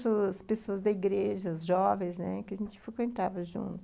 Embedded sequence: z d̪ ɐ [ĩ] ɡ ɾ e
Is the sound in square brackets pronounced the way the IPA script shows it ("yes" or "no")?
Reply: no